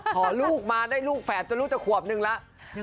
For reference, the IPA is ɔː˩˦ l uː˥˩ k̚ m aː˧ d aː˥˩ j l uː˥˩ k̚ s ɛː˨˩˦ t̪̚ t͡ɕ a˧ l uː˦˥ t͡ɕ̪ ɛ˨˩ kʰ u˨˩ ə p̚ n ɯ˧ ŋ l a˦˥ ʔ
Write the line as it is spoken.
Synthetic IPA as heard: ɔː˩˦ l uː˥˩ k̚ m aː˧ d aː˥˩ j l uː˥˩ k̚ f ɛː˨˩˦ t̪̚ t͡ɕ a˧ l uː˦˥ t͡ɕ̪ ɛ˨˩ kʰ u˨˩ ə p̚ n ɯ˧ ŋ l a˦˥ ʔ